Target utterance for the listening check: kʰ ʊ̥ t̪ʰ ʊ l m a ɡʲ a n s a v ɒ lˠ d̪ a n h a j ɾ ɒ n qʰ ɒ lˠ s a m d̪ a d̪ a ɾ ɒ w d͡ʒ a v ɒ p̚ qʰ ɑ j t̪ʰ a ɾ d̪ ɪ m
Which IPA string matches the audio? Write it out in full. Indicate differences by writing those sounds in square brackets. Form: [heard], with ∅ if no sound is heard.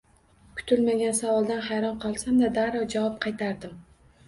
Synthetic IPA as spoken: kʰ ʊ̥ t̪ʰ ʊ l m a ɡʲ a n s a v ɒ lˠ d̪ a n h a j ɾ ɒ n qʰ ɒ lˠ s a m d̪ a d̪ a ɾ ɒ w d͡ʒ a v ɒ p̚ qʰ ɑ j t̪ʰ a ɾ d̪ ɪ m